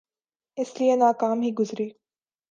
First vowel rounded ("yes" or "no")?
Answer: no